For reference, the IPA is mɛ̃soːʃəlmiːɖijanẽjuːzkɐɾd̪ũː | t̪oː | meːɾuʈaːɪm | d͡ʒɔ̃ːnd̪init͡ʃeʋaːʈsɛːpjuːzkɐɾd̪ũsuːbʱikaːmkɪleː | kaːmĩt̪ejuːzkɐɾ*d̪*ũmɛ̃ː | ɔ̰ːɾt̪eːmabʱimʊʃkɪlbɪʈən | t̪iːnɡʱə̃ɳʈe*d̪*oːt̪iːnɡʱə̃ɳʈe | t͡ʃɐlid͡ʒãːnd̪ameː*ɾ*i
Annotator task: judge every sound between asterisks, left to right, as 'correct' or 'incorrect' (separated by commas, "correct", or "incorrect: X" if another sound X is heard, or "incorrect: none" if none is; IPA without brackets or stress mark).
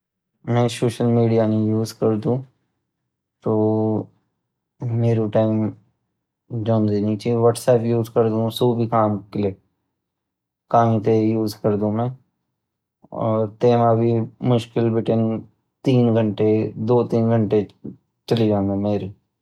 correct, correct, correct